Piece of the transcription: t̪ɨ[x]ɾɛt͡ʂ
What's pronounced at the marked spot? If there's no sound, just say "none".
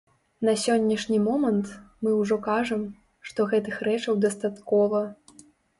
x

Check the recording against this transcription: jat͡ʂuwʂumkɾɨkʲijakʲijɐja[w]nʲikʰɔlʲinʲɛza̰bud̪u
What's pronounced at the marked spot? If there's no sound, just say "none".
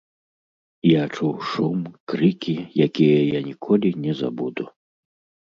none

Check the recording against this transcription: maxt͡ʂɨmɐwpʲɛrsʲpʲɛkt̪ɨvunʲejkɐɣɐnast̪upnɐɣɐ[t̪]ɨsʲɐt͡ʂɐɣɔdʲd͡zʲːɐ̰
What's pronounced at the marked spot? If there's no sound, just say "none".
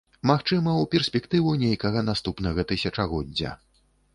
t̪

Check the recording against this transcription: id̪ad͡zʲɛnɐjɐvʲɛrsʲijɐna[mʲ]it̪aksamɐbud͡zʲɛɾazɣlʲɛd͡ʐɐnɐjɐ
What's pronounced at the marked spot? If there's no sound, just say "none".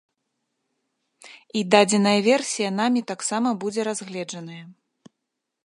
mʲ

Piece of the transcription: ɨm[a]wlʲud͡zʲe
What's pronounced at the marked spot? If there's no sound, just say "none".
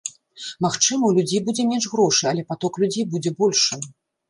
ɐ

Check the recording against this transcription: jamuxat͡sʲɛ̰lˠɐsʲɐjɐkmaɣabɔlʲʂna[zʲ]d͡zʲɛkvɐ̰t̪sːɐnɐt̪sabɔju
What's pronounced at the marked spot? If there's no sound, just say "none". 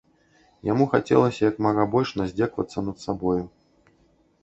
zʲ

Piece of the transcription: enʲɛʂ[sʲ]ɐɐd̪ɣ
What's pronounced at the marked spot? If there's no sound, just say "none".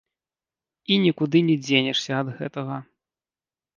sʲ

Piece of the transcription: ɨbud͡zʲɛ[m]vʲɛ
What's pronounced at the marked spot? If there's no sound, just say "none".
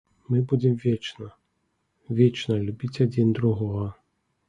m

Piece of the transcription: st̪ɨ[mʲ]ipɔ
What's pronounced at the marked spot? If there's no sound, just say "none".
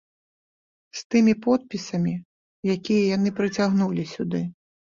mʲ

